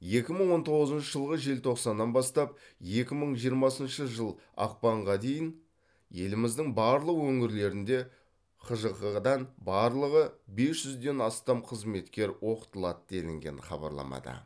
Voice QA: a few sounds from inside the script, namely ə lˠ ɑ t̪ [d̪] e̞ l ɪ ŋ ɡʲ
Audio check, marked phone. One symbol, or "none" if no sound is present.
d̪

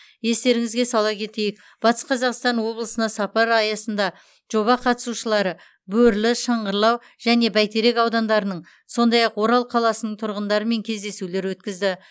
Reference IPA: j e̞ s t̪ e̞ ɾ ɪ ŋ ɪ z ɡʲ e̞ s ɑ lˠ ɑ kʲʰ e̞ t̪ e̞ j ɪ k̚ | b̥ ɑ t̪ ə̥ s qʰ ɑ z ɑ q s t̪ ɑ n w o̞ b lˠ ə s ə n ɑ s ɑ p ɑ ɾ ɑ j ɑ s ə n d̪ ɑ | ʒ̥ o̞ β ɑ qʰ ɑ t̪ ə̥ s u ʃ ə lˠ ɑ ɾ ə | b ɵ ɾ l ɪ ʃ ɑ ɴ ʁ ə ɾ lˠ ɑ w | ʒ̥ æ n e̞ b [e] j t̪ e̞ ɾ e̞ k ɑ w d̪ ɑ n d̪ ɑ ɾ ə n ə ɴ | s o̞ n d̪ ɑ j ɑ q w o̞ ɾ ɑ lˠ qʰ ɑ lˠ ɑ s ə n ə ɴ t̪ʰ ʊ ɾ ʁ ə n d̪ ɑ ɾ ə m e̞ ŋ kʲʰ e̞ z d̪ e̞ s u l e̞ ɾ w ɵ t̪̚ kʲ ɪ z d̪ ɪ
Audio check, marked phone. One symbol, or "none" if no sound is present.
æ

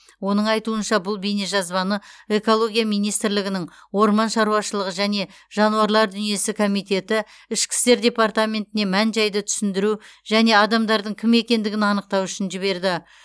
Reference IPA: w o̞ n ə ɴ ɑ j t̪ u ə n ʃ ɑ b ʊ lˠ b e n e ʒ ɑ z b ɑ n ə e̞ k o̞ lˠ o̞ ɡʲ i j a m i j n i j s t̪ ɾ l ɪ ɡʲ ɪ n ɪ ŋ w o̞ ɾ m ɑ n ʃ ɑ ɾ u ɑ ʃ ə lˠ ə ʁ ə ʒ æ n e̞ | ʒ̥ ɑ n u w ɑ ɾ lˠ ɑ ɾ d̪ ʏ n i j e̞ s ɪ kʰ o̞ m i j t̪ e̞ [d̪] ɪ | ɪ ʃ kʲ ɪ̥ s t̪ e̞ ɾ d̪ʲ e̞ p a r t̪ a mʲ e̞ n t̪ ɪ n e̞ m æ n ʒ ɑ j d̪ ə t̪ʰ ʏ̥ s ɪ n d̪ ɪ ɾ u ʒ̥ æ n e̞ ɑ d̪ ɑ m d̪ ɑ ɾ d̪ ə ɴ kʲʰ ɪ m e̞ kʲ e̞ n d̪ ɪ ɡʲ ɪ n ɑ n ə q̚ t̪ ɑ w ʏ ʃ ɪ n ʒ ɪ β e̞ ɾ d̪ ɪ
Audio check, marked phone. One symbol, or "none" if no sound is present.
t̪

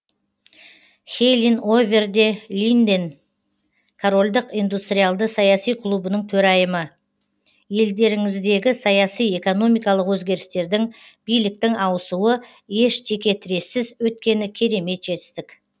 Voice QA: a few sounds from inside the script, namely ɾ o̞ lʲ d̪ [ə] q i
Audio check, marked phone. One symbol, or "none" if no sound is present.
ə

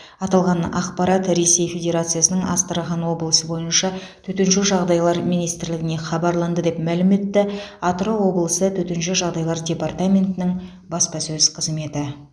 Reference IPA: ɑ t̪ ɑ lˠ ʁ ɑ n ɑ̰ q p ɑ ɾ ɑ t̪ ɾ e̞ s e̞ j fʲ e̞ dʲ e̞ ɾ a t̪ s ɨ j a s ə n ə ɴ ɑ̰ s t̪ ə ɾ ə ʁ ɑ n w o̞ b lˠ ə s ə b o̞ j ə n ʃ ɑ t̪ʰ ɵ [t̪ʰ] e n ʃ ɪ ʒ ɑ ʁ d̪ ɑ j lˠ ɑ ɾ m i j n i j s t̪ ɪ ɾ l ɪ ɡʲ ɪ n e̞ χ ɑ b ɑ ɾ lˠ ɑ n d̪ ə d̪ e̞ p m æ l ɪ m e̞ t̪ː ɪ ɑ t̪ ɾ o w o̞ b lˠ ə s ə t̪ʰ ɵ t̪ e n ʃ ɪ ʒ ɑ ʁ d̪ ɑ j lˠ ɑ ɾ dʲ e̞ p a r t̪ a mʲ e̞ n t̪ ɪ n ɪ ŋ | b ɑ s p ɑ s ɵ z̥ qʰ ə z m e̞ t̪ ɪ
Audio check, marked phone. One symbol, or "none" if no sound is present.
t̪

